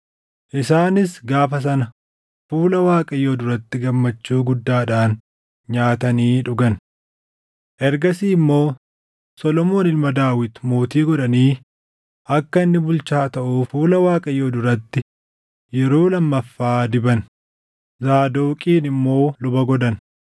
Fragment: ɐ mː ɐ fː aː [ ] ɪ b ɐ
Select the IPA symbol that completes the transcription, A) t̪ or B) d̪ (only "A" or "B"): B